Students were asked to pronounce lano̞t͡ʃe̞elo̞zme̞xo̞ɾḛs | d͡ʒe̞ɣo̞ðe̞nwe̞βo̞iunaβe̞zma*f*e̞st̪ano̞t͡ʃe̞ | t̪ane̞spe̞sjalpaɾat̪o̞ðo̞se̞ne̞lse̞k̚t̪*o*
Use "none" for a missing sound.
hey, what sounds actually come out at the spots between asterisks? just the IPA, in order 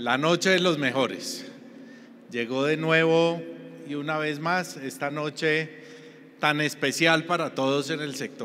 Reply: s, o

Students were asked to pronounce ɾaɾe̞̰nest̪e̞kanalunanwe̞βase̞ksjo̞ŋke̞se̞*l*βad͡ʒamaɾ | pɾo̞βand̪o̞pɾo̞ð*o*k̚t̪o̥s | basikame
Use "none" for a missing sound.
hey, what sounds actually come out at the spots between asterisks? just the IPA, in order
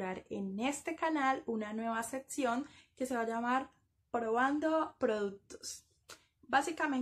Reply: none, u

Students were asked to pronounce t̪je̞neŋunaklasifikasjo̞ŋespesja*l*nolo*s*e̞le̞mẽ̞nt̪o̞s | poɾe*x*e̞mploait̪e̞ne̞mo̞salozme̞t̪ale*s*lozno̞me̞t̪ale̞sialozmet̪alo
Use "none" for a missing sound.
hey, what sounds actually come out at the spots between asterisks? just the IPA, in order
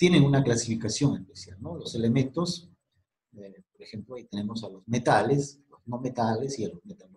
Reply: l, s, x, s

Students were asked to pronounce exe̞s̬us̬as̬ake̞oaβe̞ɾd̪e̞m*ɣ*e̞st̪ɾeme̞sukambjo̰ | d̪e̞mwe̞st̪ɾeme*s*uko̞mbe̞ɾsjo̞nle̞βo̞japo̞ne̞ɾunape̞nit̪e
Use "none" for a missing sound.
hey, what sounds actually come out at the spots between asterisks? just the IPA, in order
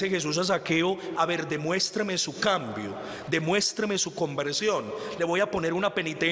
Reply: w, s

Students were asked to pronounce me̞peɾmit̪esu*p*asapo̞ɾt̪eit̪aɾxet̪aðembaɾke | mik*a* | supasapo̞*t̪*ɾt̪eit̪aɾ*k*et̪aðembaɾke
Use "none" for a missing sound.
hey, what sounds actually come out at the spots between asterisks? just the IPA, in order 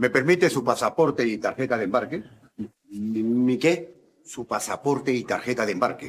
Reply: p, e, none, x

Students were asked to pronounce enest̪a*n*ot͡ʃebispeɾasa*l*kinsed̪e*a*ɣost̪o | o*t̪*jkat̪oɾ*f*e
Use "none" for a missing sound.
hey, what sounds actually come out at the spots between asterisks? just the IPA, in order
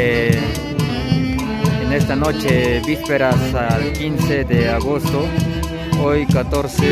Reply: n, l, a, none, s

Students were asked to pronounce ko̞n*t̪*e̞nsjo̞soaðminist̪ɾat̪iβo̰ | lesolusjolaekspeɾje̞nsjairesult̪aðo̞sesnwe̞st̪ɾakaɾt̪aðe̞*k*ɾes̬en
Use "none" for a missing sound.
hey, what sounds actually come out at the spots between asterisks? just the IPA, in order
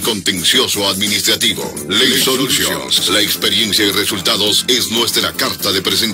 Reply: t̪, p

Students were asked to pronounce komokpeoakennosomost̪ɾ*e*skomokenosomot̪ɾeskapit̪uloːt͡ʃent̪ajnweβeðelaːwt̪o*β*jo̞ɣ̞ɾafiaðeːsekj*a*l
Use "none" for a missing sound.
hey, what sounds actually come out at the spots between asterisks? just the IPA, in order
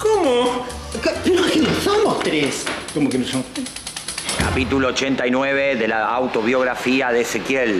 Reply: e, β, e

